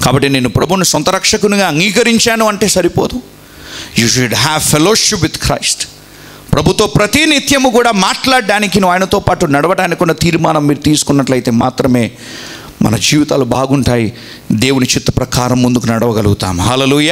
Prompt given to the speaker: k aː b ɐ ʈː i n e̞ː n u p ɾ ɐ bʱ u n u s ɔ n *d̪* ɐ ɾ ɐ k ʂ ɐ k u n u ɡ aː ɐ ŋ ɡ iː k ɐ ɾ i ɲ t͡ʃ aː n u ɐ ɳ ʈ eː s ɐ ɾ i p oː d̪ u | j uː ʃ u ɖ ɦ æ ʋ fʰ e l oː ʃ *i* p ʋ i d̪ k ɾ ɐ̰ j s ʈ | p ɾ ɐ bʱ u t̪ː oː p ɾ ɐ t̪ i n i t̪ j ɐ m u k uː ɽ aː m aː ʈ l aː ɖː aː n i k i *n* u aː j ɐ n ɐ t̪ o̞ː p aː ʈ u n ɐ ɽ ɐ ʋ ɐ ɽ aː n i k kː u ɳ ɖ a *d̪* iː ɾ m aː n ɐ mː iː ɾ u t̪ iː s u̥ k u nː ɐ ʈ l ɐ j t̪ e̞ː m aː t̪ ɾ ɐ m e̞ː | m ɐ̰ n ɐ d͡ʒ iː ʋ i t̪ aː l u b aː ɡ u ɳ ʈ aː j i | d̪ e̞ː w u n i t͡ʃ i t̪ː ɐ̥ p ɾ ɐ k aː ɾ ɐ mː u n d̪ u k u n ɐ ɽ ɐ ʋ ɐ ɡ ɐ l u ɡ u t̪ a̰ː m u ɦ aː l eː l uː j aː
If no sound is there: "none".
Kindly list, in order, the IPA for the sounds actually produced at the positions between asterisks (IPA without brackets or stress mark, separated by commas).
t̪, i, n, t̪